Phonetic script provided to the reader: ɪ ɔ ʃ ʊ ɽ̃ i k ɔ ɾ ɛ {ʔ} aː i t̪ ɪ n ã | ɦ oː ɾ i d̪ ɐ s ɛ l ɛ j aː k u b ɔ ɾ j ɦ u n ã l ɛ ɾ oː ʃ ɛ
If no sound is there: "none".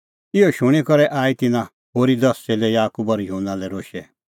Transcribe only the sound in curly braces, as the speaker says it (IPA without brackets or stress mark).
ʔ